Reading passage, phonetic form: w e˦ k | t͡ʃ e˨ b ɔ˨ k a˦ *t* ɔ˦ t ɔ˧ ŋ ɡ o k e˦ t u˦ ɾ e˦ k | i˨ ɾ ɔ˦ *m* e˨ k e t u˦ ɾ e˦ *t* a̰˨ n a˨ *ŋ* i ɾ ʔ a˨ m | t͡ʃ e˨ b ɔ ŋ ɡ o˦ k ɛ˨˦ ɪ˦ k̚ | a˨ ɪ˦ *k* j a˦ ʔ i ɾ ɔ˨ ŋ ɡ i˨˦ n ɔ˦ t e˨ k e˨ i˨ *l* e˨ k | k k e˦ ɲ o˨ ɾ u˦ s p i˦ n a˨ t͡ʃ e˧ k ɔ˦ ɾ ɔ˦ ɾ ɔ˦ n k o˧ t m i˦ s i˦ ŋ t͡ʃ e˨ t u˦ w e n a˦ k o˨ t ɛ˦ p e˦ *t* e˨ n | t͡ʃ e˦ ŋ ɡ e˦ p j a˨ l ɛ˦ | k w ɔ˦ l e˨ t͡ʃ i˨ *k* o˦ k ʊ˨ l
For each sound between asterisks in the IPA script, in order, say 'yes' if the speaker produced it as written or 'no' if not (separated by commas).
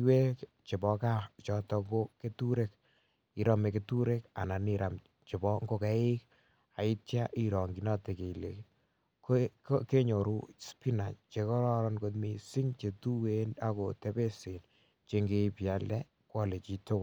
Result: no, yes, no, no, no, yes, no, no